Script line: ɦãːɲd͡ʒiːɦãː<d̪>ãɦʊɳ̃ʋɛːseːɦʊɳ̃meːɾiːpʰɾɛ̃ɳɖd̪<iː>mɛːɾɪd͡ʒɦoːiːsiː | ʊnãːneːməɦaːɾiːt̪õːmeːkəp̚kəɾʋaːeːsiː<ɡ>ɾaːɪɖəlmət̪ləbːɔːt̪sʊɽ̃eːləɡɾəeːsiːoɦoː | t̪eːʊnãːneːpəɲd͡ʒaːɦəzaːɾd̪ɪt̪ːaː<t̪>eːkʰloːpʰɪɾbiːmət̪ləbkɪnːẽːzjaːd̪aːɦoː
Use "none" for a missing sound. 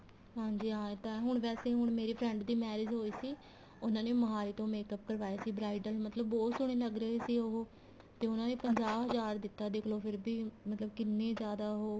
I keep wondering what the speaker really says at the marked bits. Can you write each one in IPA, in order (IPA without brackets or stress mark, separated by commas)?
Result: t̪, iː, b, d̪